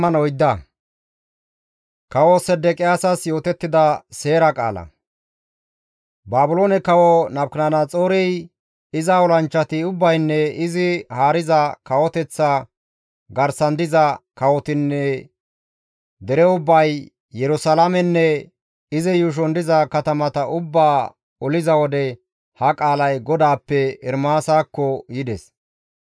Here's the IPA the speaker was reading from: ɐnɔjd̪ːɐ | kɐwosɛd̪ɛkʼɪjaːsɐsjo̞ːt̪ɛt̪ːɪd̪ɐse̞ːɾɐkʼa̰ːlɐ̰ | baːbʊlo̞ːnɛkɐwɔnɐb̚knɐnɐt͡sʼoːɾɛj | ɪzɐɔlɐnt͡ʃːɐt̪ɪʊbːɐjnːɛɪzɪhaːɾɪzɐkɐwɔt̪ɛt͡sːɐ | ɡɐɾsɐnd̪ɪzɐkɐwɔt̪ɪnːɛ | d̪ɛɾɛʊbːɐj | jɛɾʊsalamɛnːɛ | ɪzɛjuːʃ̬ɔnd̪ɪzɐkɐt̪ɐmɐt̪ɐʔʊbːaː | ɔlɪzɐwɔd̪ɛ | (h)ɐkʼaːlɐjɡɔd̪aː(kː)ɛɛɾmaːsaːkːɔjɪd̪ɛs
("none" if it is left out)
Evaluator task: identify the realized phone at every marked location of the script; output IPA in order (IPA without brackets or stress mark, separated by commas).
h, pː